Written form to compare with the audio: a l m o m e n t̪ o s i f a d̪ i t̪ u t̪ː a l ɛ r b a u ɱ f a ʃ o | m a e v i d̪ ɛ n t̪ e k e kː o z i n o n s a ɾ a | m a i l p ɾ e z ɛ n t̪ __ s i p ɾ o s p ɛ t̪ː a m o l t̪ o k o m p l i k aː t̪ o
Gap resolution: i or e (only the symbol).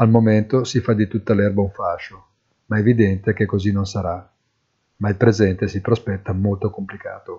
e